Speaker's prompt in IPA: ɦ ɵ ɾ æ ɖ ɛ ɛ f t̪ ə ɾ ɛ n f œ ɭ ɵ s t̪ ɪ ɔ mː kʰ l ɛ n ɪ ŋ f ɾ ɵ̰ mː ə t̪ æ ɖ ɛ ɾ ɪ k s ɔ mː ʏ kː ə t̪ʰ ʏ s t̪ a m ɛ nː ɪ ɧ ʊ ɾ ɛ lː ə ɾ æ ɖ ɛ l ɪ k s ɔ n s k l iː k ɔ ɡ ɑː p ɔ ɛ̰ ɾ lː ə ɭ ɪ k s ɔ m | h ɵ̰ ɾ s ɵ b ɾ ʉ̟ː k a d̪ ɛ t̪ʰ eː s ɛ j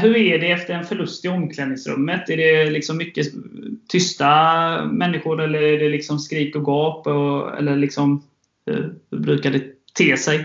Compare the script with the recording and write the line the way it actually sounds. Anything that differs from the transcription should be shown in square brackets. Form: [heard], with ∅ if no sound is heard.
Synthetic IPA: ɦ ɵ ɾ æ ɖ ɛ ɛ f t̪ ə ɾ ɛ n f œ ɭ ɵ s t̪ ɪ ɔ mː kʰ l ɛ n ɪ ŋ [s] ɾ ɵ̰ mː ə t̪ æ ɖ ɛ [l] ɪ k s ɔ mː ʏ kː ə t̪ʰ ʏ s t̪ a m ɛ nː ɪ ɧ ʊ ɾ ɛ lː ə ɾ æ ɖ ɛ l ɪ k s ɔ [m] s k [ɾ] iː k ɔ ɡ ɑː p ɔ ɛ̰ [∅] lː ə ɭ ɪ k s ɔ m | h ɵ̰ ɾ [h] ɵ b ɾ ʉ̟ː k a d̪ ɛ t̪ʰ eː s ɛ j